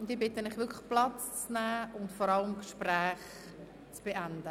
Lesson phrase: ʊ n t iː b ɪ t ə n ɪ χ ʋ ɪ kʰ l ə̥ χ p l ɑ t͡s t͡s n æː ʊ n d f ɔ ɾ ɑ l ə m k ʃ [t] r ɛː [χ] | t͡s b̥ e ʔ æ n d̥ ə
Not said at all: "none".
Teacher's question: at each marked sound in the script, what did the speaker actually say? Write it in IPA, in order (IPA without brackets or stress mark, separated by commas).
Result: p, χ